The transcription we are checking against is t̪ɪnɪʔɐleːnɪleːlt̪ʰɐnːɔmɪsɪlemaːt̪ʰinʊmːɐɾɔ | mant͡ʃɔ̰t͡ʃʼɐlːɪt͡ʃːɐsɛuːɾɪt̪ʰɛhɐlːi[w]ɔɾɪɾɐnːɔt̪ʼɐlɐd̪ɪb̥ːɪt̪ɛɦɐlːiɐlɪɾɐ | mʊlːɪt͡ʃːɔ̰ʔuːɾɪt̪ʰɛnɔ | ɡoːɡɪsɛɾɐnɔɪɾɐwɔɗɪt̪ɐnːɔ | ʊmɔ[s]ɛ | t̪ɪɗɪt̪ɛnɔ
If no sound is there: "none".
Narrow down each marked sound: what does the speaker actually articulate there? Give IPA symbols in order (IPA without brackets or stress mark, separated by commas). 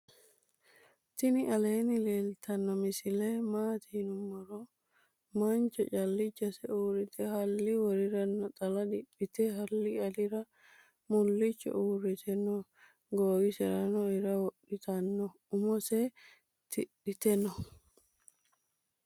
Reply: w, s